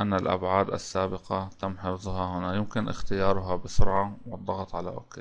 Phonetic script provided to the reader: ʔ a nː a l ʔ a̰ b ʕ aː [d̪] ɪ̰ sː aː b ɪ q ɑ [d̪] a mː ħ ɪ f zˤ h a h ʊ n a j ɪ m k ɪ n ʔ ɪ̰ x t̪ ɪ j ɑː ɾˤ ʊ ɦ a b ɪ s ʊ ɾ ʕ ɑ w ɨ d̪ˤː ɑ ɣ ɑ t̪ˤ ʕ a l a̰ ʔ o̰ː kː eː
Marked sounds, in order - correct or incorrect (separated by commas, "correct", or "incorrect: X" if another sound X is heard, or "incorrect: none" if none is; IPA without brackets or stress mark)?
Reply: correct, incorrect: t̪